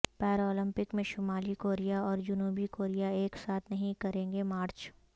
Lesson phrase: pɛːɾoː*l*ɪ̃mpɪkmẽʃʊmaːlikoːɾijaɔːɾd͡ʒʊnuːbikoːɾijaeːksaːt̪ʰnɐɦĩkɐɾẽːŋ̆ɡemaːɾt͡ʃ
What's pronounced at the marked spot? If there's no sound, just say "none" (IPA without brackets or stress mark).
l